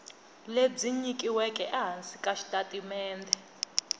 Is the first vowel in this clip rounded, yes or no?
no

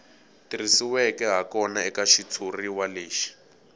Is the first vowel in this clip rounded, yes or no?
no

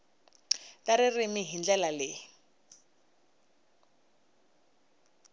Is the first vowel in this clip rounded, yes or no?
no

